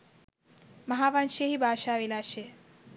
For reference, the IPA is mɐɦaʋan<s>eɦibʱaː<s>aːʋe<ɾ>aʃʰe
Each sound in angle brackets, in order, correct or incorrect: incorrect: ʃ, incorrect: ʃ, incorrect: l

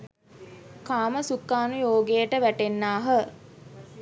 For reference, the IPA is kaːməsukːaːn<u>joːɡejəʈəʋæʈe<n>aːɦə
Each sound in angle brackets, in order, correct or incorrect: correct, incorrect: nː

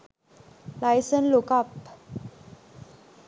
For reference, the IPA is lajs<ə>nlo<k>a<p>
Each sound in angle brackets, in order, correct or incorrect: correct, correct, correct

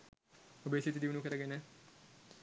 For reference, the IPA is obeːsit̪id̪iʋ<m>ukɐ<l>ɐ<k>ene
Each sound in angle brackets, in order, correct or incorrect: incorrect: n, incorrect: ɾ, incorrect: ɡ

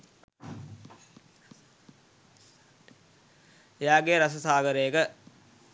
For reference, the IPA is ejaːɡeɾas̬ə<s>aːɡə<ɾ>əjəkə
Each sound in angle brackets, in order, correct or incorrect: correct, correct

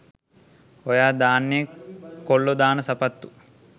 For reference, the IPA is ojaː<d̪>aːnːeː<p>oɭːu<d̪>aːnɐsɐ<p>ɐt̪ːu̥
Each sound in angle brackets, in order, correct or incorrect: correct, incorrect: k, correct, correct

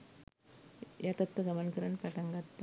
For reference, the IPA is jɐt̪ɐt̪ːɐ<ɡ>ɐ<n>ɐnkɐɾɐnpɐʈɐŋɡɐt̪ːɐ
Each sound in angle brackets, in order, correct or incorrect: correct, incorrect: m

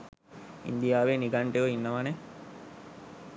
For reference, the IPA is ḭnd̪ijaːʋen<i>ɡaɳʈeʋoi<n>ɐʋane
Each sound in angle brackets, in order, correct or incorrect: correct, incorrect: nː

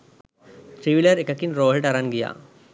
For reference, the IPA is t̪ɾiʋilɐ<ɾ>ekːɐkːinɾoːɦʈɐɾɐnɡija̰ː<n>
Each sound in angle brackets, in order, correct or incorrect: correct, incorrect: none

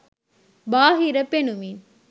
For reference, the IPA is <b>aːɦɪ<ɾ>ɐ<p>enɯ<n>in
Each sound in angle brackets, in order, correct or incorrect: correct, correct, correct, incorrect: m

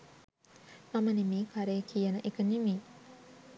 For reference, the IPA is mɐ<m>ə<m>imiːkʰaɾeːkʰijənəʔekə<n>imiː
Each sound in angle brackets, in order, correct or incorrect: correct, incorrect: n, correct

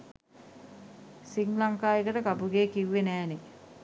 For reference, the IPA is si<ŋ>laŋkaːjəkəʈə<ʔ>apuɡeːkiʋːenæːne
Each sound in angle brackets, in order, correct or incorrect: correct, incorrect: k

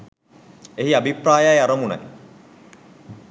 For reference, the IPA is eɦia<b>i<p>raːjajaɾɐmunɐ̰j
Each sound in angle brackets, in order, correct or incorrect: correct, correct

